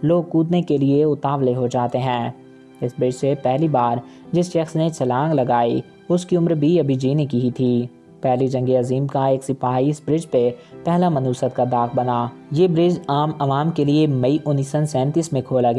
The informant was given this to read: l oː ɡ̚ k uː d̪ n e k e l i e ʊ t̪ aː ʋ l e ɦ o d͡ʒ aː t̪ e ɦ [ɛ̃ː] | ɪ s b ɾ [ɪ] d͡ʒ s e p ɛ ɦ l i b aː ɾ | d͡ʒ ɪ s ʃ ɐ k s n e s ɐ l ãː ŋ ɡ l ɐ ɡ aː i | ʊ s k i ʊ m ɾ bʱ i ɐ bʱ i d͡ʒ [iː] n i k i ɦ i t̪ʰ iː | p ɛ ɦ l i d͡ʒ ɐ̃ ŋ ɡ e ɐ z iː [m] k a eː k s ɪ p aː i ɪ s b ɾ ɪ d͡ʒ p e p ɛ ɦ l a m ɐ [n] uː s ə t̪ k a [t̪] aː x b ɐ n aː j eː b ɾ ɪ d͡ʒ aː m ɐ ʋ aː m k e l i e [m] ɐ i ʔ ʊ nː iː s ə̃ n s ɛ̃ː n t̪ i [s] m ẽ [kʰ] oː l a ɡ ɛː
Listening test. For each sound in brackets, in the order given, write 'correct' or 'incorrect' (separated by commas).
correct, correct, correct, correct, correct, incorrect, correct, correct, correct